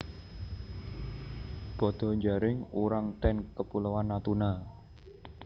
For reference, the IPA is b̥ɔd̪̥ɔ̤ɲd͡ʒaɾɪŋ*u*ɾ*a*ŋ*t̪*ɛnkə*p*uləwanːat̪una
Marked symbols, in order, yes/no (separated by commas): yes, yes, yes, yes